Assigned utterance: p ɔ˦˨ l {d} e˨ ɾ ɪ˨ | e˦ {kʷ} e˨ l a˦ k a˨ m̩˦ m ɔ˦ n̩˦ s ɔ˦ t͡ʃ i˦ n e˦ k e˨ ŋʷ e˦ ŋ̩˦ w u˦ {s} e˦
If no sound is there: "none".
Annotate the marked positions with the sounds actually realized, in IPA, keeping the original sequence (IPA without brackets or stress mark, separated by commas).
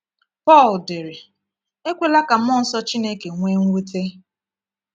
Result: d, kʷ, t